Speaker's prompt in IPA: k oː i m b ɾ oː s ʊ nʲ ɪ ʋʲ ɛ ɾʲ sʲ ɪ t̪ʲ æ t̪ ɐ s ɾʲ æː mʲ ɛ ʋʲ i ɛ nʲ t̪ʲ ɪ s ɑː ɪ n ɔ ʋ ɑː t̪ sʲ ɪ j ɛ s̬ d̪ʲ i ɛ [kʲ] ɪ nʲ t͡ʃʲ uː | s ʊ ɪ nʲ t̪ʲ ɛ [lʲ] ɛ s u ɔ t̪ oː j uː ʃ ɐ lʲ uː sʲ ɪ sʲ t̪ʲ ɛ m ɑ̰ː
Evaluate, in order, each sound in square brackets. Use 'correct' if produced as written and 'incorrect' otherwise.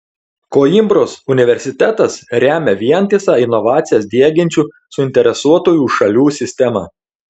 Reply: incorrect, incorrect

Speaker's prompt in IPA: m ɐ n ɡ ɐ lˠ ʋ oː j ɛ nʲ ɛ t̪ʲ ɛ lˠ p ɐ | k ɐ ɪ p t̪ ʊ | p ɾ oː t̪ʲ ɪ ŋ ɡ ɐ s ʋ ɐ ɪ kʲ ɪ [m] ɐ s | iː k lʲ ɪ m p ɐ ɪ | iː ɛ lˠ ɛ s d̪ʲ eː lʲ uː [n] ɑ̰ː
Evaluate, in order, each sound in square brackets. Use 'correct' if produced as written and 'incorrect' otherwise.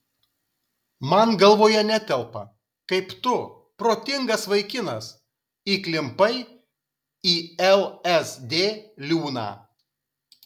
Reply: incorrect, correct

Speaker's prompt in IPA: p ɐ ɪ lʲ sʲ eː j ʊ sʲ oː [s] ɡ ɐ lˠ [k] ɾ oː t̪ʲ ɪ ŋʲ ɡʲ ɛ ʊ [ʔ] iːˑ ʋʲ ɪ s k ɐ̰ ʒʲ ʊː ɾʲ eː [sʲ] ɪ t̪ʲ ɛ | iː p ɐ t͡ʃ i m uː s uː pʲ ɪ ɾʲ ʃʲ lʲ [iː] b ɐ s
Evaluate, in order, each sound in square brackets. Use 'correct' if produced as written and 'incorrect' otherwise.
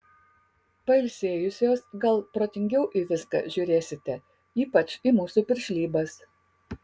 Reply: correct, incorrect, correct, correct, correct

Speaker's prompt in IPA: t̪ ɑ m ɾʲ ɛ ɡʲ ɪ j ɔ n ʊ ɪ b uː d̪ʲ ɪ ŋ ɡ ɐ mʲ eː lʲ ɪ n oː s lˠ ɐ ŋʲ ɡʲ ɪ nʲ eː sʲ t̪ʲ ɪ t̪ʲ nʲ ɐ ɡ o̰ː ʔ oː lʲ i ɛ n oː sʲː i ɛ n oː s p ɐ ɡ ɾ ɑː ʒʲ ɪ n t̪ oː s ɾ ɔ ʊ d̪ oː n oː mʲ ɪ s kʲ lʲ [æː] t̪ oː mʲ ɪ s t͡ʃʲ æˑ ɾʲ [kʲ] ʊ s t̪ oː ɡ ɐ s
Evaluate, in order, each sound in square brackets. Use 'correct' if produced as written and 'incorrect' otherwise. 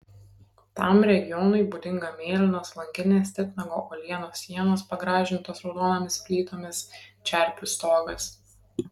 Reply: incorrect, incorrect

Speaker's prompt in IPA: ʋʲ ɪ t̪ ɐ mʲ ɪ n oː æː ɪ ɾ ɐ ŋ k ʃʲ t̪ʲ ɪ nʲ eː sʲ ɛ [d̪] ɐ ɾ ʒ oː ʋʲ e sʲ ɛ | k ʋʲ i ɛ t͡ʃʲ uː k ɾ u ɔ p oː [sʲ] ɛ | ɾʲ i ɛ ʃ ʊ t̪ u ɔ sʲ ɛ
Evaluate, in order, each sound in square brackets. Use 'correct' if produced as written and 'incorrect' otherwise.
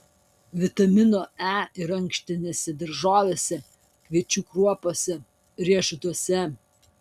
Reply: correct, correct

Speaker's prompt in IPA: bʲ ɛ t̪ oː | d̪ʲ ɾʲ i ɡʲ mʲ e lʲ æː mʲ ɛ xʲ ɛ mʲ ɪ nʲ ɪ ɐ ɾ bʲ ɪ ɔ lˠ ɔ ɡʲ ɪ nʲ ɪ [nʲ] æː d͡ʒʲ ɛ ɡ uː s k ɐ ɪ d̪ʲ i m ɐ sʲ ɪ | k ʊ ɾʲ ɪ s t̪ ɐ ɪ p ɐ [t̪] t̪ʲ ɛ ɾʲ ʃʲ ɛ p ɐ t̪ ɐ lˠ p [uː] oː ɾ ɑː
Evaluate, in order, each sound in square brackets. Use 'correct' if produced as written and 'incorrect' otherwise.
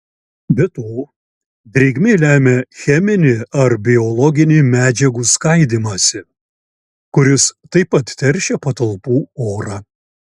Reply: incorrect, correct, correct

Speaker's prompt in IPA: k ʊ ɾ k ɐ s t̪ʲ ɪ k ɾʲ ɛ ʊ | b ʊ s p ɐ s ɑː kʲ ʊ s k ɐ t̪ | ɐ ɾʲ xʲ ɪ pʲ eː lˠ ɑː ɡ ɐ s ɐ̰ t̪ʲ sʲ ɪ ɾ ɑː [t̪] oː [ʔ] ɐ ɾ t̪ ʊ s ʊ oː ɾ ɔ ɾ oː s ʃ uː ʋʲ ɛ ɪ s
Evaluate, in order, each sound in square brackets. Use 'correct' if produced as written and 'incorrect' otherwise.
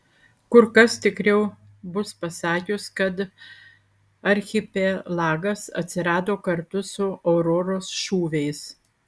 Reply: incorrect, incorrect

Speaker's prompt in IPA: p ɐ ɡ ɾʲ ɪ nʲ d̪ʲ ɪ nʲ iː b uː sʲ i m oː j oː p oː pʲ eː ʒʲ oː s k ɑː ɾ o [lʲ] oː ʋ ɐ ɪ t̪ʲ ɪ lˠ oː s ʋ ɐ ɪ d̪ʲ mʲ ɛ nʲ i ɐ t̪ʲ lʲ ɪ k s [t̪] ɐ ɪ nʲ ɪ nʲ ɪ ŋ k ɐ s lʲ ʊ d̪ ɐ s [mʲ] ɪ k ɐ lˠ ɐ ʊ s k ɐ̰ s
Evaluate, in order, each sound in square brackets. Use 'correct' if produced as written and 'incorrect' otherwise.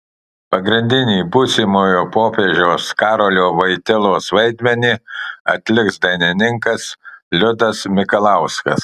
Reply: correct, incorrect, correct

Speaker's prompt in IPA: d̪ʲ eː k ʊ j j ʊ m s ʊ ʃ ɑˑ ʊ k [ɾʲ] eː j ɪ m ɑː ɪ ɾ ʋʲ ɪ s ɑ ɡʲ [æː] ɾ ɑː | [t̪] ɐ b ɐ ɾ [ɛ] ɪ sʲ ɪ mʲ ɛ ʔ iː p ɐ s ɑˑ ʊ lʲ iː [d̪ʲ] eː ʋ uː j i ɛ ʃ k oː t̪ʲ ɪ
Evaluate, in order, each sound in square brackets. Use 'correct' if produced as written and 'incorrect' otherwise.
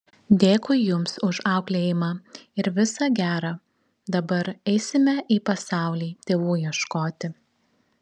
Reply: incorrect, correct, incorrect, correct, incorrect

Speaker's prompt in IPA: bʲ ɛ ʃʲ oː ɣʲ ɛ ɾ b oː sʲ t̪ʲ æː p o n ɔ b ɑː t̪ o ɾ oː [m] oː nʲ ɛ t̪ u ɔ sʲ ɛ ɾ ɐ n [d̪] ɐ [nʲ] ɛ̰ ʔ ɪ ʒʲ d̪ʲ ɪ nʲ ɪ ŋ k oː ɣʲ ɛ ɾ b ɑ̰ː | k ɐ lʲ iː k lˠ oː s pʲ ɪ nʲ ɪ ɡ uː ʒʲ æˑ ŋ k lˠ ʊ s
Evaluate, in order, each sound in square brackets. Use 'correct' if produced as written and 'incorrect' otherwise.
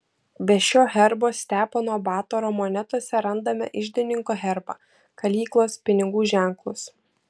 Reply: correct, correct, incorrect

